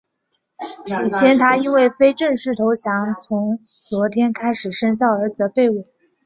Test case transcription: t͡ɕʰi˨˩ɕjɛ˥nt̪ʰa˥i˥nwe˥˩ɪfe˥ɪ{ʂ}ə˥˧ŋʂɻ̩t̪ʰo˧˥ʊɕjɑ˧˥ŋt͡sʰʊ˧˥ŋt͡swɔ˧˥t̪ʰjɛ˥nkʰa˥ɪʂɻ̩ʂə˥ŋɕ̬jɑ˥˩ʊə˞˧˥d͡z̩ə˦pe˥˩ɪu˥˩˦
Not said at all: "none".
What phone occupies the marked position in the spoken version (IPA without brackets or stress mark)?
ʈ͡ʂ